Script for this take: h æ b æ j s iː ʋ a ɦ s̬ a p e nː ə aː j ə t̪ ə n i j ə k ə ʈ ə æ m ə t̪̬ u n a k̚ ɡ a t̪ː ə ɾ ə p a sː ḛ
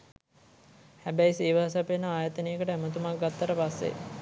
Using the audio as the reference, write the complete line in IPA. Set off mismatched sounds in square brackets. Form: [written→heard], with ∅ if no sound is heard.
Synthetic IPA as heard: h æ b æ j s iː ʋ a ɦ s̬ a p e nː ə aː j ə t̪ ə n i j ə k ə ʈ ə æ m ə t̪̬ u [n→m] a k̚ ɡ a t̪ː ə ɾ ə p a sː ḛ